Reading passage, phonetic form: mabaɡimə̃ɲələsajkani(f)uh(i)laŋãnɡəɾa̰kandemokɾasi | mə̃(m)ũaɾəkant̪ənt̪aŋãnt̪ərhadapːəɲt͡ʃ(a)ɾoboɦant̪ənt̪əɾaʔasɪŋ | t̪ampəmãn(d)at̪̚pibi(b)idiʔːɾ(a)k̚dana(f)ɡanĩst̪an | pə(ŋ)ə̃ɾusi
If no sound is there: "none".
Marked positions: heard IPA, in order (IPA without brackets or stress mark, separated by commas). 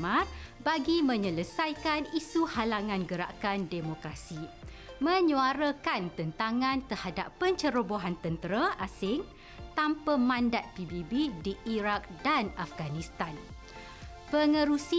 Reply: s, a, ɲ, ə, d, b, a, f, ŋ